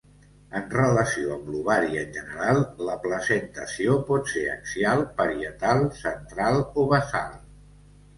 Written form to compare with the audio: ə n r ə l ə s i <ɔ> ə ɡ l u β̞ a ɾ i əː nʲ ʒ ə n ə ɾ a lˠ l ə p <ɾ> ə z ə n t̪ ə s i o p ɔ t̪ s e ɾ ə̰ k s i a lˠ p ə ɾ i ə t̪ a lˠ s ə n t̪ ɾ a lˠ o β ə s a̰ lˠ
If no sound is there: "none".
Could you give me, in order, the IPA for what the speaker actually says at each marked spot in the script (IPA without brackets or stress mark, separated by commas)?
o, l